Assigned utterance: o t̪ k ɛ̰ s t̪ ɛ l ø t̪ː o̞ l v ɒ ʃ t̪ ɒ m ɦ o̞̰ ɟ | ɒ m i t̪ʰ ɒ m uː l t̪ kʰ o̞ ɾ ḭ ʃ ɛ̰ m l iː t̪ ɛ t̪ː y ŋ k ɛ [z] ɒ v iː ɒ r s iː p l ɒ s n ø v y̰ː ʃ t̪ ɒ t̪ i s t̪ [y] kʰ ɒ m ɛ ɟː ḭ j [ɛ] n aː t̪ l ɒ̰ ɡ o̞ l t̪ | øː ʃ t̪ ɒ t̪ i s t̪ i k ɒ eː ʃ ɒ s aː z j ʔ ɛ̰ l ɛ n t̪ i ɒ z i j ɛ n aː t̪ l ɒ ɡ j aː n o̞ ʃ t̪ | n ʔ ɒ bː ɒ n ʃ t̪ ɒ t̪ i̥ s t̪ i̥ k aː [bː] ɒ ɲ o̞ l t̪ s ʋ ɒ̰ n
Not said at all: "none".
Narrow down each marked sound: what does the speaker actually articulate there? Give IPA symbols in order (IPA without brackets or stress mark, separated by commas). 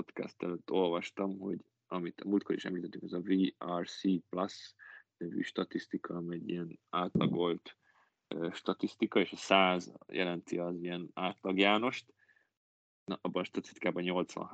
z, i, ɛ, b